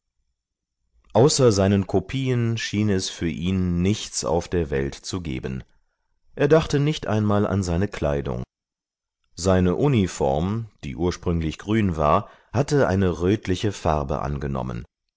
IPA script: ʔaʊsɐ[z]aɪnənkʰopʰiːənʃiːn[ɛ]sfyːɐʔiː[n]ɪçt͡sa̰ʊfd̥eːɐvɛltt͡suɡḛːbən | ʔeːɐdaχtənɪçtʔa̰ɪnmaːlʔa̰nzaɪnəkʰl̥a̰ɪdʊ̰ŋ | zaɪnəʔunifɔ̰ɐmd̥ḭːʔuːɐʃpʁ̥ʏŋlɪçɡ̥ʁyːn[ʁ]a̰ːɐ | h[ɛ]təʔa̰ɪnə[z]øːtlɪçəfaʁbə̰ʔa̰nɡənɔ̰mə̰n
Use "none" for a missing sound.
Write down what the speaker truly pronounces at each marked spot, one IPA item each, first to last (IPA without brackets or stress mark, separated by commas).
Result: z, ɛ, nː, v, a, ʁ